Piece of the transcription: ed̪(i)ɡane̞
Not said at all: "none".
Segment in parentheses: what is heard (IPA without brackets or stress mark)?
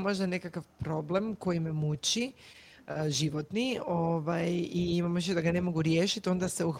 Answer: a